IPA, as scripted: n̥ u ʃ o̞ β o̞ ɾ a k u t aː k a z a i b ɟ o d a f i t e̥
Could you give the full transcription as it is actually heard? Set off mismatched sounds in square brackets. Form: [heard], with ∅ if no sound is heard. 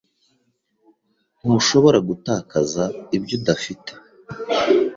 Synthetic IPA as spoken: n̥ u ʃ o̞ β o̞ ɾ a [ɡ] u t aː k a z a i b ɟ o d a f i t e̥